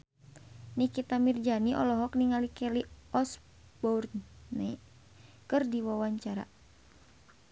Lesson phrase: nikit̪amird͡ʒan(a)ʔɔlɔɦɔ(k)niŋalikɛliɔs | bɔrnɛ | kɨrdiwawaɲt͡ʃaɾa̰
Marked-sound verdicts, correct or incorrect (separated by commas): incorrect, correct